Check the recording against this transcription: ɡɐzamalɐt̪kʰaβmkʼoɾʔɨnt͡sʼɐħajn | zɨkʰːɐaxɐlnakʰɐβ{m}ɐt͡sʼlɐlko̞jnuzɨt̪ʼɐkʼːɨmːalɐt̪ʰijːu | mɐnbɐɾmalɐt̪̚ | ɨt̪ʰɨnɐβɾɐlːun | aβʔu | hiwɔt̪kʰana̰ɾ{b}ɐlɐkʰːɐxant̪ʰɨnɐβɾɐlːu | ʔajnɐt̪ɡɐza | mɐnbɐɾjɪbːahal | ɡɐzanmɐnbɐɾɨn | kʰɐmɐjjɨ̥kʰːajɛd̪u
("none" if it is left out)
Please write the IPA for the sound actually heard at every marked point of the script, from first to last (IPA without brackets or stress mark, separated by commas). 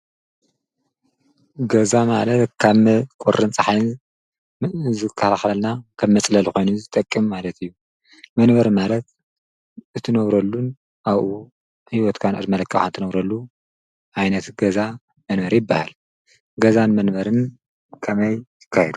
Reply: m, m